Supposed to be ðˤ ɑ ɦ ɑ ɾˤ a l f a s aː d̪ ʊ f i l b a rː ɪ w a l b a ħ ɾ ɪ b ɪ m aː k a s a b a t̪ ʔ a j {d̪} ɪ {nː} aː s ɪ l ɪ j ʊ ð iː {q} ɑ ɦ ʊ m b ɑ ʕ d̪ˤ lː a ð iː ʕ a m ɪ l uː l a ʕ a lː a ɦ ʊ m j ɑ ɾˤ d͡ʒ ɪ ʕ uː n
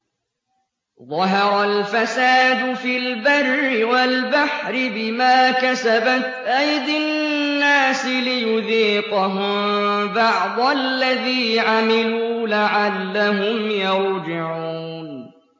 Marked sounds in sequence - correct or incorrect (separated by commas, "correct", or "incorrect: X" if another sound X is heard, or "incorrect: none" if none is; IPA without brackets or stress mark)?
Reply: correct, correct, correct